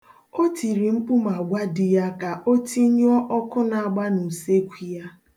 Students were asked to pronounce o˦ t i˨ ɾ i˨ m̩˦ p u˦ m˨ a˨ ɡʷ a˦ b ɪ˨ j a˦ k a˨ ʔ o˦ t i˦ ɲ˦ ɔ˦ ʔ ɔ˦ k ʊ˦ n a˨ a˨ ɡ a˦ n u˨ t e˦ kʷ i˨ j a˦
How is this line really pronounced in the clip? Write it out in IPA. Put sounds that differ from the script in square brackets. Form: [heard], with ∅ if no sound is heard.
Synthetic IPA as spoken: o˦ t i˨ ɾ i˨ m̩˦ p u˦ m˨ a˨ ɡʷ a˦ [d] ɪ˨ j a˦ k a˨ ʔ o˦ t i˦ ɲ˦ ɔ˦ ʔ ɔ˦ k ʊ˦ n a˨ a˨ [ɡ͡b] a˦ n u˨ [s] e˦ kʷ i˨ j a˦